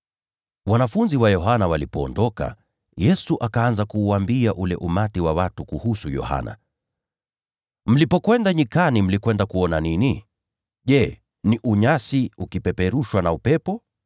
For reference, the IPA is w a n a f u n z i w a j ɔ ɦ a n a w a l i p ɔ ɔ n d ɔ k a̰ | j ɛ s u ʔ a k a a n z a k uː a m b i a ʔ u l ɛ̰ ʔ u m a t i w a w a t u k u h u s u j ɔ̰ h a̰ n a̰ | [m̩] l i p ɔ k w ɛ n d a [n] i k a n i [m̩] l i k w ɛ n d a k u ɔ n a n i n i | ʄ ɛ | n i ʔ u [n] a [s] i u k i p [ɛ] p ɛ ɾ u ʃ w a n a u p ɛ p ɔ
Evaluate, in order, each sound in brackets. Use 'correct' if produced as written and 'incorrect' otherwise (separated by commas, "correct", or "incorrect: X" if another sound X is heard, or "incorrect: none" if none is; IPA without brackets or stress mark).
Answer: correct, incorrect: ɲ, correct, incorrect: ɲ, correct, correct